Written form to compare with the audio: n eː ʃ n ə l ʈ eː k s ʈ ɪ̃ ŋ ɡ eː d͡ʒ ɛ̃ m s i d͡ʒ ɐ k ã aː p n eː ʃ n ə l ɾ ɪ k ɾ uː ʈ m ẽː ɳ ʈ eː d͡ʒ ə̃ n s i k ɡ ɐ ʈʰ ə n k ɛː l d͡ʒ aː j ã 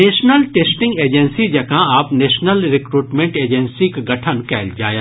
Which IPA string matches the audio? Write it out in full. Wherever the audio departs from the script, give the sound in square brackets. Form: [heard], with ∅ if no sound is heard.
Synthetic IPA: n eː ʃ n ə l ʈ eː [∅] s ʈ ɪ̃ ŋ ɡ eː d͡ʒ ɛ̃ [n] s i d͡ʒ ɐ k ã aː p n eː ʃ n ə l ɾ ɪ k ɾ uː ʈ m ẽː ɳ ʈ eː d͡ʒ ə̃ n s i k ɡ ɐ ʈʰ ə n k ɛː l d͡ʒ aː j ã